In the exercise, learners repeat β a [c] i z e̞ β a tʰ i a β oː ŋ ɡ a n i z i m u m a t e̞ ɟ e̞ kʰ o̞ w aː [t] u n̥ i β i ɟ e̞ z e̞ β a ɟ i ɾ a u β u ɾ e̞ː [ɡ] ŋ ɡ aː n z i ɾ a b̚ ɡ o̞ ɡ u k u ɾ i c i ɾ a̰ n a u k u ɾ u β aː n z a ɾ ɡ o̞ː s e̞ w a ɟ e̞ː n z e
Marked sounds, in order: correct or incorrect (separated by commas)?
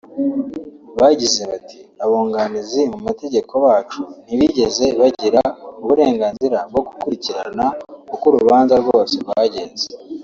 incorrect, incorrect, incorrect